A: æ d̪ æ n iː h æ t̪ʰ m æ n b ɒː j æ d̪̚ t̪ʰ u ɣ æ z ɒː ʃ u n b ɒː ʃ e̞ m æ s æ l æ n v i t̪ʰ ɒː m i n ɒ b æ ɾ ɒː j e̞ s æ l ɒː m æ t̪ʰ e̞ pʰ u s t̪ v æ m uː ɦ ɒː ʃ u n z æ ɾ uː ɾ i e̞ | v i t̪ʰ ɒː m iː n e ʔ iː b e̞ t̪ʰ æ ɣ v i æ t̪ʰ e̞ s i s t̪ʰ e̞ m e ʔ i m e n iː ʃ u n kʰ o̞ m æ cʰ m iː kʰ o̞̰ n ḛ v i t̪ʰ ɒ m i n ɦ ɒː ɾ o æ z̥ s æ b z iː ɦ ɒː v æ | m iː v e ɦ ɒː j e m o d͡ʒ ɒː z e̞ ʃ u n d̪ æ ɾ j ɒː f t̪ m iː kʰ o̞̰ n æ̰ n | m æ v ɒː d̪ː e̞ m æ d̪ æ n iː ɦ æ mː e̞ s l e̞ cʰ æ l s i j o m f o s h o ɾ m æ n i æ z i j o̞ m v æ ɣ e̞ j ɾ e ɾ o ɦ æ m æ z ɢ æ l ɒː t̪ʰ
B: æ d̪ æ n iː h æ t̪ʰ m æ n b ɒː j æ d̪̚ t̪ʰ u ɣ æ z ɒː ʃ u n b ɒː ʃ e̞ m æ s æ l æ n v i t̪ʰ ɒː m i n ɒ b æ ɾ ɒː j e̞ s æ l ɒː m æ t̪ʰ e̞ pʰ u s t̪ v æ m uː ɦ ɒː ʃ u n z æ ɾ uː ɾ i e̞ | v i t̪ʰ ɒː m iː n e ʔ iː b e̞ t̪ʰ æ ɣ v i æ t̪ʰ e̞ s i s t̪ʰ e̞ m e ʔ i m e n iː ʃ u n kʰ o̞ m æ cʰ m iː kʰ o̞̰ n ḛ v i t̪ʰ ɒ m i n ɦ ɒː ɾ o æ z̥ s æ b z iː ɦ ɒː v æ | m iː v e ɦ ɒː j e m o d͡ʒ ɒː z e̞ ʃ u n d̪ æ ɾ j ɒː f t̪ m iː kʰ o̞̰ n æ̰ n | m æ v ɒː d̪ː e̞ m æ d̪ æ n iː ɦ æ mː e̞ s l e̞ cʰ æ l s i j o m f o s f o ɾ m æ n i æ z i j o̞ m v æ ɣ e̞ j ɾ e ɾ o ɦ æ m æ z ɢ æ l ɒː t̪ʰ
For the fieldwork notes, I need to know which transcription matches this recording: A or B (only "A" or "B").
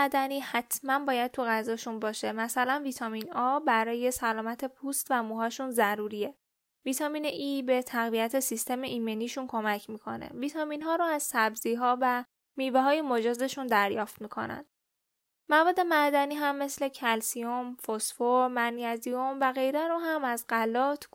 B